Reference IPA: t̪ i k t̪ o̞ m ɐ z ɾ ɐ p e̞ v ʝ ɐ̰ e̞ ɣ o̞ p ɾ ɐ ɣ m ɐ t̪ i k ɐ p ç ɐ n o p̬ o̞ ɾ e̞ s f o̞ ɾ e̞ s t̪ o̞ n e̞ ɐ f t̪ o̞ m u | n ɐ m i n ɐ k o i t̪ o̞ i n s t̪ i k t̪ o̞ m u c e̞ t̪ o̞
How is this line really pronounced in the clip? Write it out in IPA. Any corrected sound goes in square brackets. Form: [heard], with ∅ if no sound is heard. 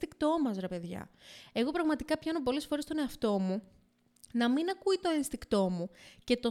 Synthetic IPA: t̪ i k t̪ o̞ m ɐ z ɾ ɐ p e̞ [ð] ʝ ɐ̰ e̞ ɣ o̞ p ɾ ɐ ɣ m ɐ t̪ i k ɐ p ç ɐ n o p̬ o̞ [l] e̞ s f o̞ ɾ e̞ s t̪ o̞ n e̞ ɐ f t̪ o̞ m u | n ɐ m i n ɐ k [u] i t̪ o̞ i n s t̪ i k t̪ o̞ m u c e̞ t̪ o̞